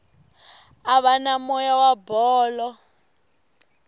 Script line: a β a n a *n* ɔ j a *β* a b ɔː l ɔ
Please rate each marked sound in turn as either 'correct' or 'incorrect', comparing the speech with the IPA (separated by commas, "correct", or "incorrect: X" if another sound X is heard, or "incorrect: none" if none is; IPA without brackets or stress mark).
incorrect: m, incorrect: w